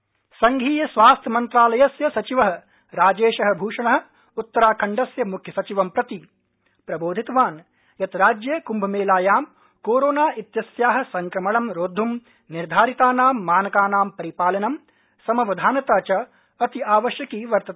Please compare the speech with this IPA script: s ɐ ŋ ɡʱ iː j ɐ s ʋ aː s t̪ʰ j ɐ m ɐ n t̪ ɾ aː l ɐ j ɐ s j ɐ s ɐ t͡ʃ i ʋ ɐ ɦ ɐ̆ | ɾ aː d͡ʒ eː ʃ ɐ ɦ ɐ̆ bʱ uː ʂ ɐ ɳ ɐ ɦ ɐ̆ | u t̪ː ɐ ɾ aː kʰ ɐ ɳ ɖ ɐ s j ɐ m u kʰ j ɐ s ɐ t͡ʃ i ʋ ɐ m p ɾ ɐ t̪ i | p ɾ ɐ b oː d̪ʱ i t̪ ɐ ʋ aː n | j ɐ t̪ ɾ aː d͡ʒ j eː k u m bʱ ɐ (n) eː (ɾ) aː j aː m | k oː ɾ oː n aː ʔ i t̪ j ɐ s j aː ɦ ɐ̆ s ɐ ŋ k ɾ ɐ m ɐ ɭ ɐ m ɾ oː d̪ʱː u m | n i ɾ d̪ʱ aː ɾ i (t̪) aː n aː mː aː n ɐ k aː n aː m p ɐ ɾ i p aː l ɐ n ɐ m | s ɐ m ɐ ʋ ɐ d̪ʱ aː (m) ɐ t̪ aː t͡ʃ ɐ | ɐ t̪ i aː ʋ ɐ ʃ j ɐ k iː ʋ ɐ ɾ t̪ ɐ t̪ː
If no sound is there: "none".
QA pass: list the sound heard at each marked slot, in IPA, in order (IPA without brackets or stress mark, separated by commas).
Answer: m, l, t̪, n